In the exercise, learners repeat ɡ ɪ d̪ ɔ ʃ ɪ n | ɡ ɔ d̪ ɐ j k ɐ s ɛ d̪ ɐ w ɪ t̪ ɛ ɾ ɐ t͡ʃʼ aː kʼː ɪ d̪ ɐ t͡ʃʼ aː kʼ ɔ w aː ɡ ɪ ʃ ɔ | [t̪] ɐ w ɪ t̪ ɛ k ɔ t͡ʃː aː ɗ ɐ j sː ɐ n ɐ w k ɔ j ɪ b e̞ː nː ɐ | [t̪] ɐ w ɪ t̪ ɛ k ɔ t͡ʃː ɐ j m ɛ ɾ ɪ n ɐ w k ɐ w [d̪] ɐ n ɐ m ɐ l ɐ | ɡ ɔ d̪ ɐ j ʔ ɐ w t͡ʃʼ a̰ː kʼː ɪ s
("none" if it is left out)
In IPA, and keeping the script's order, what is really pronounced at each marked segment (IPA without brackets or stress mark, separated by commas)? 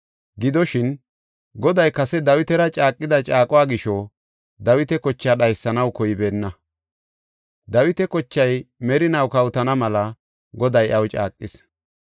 d̪, d̪, t̪